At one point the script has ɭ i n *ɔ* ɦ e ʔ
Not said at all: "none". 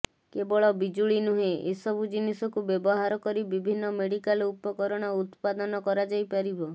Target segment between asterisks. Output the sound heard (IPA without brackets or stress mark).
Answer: u